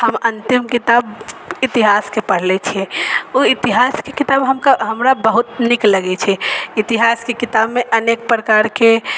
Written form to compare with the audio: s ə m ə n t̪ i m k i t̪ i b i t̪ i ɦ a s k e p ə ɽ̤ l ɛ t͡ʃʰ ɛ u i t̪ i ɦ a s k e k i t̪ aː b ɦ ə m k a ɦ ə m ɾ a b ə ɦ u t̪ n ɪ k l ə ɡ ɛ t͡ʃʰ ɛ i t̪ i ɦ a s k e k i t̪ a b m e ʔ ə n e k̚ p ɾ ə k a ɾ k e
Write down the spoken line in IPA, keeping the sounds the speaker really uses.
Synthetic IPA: h ə m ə n t̪ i m k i t̪ a b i t̪ i ɦ a s k e p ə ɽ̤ l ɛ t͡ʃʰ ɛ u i t̪ i ɦ a s k e k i t̪ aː b ɦ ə m k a ɦ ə m ɾ a b ə ɦ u t̪ n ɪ k l ə ɡ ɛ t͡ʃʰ ɛ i t̪ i ɦ a s k e k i t̪ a b m e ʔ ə n e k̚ p ɾ ə k a ɾ k e